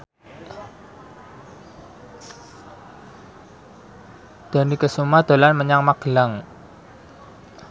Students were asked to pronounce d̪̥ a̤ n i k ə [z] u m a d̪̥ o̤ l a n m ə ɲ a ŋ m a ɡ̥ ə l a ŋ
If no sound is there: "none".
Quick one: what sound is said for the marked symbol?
s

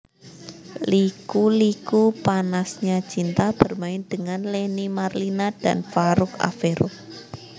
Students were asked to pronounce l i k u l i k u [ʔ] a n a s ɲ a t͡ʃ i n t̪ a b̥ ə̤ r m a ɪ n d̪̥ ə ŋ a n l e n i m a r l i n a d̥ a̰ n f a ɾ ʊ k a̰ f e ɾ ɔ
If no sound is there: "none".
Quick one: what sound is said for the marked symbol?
p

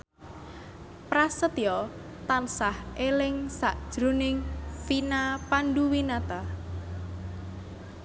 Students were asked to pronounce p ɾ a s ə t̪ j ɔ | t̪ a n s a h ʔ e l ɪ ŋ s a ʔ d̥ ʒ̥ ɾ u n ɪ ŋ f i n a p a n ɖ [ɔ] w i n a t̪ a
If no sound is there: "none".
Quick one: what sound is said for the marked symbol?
u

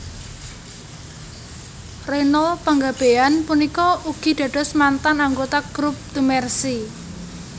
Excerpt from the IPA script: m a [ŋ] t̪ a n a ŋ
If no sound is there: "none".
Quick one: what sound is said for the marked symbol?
n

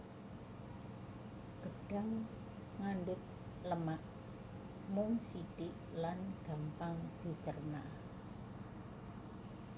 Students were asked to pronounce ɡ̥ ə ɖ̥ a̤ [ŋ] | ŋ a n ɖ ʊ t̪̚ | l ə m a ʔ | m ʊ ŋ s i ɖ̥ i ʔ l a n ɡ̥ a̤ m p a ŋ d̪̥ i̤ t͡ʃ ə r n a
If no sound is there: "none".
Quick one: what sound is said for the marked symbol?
ŋ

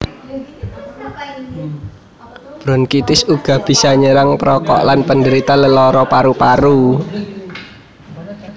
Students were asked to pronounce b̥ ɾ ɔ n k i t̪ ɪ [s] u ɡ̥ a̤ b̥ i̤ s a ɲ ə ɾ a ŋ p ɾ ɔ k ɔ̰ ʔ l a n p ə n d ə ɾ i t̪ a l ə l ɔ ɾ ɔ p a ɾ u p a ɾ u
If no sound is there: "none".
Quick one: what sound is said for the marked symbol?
s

